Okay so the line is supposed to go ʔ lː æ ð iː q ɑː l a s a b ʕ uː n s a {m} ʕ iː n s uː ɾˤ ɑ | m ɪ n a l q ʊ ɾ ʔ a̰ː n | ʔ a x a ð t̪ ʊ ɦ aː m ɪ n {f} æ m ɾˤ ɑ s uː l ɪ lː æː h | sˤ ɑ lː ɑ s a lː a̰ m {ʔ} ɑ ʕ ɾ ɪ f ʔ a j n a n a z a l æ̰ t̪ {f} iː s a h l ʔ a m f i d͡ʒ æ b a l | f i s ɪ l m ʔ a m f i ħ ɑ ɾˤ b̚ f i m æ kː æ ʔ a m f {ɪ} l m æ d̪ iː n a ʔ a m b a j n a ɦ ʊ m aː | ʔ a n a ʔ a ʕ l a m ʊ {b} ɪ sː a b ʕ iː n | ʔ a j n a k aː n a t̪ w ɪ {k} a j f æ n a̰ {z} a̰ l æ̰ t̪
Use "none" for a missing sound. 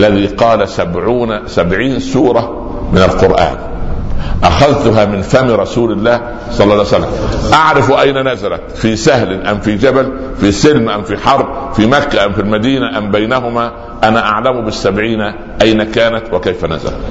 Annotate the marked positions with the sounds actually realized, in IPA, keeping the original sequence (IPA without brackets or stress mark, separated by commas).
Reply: b, f, ʔ, f, i, b, k, z